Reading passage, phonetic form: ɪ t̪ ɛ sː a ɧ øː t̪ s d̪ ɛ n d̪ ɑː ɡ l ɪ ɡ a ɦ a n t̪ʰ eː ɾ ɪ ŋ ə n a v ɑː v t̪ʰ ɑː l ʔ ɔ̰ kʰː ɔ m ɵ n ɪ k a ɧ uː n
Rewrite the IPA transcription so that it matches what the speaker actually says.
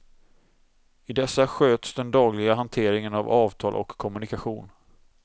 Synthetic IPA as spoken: ɪ d̪ ɛ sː a ɧ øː t̪ s d̪ ɛ n d̪ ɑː ɡ l ɪ ɡ a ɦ a n t̪ʰ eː ɾ ɪ ŋ ə n a v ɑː v t̪ʰ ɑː l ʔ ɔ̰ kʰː ɔ m ɵ n ɪ k a ɧ uː n